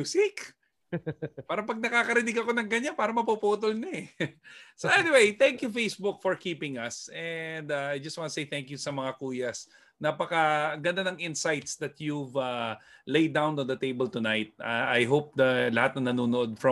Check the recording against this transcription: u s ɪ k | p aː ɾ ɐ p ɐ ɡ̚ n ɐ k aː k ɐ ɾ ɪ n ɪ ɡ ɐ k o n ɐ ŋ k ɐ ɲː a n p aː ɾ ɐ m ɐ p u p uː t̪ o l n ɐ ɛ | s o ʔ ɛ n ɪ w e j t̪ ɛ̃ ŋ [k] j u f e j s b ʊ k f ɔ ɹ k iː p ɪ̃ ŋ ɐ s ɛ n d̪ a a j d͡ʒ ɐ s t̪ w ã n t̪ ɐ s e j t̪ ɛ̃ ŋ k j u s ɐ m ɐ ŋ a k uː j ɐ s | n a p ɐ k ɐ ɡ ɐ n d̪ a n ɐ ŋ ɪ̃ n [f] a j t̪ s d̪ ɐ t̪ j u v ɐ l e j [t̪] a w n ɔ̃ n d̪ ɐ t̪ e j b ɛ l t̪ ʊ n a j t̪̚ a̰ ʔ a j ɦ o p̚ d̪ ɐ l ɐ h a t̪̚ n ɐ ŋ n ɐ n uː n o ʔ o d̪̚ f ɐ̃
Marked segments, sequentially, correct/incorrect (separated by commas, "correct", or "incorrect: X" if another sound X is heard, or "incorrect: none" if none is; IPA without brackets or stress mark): correct, incorrect: s, incorrect: d̪